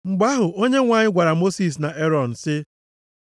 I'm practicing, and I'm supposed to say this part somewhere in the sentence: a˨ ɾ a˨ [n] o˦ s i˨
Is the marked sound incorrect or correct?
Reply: incorrect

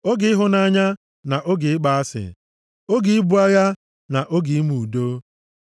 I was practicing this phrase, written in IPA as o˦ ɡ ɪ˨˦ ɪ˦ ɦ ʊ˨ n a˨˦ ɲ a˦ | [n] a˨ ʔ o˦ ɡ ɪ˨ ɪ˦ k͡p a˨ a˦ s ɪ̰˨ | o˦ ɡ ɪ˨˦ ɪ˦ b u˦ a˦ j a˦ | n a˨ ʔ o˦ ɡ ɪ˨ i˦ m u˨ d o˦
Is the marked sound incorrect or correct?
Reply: correct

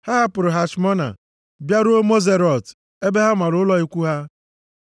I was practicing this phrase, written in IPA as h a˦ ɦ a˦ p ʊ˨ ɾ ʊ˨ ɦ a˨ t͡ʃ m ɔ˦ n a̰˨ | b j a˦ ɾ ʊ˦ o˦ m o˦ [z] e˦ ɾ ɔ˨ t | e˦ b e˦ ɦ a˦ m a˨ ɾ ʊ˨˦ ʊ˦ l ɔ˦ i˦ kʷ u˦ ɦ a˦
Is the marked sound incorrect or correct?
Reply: correct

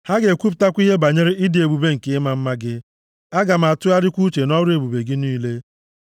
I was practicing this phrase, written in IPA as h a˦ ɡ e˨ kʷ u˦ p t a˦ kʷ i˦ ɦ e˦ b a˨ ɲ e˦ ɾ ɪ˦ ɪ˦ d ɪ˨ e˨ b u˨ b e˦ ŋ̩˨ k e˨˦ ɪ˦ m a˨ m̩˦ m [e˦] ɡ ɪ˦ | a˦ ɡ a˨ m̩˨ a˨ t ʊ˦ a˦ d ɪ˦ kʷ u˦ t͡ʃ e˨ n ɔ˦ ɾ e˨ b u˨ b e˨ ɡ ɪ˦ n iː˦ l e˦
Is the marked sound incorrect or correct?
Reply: incorrect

